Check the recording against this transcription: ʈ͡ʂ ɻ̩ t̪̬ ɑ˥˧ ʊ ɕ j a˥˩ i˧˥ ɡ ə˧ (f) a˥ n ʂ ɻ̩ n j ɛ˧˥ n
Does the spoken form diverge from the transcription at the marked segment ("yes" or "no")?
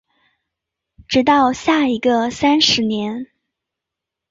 yes